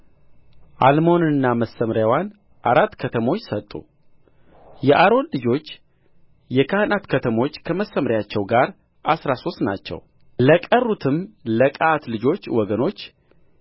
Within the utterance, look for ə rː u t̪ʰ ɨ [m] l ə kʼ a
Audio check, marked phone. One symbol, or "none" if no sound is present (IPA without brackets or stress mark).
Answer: m